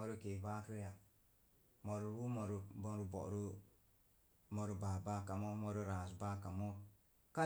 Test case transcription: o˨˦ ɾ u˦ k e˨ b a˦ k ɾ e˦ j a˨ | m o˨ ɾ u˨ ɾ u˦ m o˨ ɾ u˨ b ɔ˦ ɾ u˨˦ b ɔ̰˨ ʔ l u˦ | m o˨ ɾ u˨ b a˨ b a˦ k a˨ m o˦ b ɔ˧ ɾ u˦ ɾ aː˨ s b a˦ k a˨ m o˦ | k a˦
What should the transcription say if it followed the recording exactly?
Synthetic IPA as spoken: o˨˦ ɾ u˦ k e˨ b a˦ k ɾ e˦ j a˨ | m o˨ ɾ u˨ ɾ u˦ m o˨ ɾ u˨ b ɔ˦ ɾ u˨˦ b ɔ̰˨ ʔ ɾ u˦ | m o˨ ɾ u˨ b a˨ b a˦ k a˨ m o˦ m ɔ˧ ɾ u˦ ɾ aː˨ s b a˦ k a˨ m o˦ | k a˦

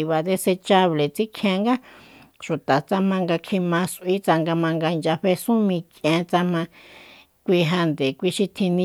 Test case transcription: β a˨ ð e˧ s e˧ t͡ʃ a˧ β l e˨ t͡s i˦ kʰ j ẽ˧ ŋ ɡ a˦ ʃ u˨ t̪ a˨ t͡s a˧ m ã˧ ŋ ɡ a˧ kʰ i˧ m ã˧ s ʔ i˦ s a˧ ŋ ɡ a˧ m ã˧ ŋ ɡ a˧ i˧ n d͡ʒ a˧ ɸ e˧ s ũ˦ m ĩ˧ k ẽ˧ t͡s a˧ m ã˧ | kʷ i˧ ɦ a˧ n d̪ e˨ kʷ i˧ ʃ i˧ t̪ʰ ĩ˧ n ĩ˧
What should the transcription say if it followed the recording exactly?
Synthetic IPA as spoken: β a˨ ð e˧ s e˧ t͡ʃ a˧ β l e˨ t͡s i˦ kʰ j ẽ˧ ŋ ɡ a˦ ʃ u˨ t̪ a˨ t͡s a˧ m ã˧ ŋ ɡ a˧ kʰ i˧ m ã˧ s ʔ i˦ t͡s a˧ ŋ ɡ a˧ m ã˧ ŋ ɡ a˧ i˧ n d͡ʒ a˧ ɸ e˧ s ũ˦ m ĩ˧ k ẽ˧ t͡s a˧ m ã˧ | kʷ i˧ ɦ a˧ n d̪ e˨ kʷ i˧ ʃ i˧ t̪ʰ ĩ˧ n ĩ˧

